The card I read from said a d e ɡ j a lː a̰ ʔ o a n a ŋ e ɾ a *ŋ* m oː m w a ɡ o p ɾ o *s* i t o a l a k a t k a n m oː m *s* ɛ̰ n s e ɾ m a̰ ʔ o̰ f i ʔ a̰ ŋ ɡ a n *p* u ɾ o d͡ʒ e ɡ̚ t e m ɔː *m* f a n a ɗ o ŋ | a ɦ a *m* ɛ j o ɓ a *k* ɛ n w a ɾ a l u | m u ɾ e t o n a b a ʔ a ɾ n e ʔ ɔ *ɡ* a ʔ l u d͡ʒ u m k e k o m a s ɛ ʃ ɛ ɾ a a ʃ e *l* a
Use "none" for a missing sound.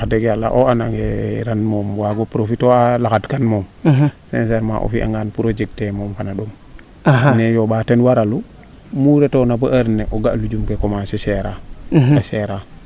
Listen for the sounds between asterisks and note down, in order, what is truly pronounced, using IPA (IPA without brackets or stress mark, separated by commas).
n, f, s, p, m, n, t, ɡ, ɾ